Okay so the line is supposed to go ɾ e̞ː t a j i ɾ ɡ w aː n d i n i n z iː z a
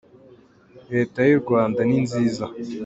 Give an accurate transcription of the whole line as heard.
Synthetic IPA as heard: ɾ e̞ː t a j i ɾ ɡ w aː n d a n i n z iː z a